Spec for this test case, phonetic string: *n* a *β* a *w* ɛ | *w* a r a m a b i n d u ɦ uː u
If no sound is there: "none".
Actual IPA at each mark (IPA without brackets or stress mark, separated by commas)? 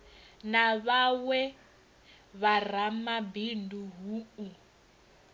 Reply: n, β, w, β